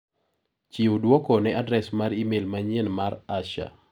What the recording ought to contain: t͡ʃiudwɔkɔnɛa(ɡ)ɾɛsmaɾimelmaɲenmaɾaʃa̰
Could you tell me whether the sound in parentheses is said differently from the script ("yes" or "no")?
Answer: yes